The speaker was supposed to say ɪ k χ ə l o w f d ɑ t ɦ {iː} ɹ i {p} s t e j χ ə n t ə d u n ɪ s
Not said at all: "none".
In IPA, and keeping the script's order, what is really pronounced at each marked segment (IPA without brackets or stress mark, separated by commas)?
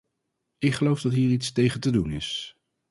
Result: iː, t